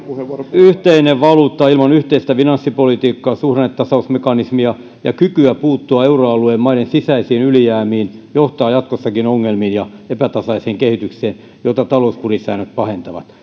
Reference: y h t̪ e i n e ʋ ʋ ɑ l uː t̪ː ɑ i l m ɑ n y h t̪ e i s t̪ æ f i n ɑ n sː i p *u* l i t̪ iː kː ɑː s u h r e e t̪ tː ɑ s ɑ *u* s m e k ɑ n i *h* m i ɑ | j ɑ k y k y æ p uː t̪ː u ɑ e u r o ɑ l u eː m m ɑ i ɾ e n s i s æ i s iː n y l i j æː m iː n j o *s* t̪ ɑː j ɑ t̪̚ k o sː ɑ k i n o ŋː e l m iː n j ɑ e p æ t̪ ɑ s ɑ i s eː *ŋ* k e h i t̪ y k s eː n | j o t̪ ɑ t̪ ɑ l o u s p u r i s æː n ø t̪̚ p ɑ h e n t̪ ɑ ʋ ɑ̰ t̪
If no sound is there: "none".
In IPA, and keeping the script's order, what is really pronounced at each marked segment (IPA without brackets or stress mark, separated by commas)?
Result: o, u, s, h, ŋ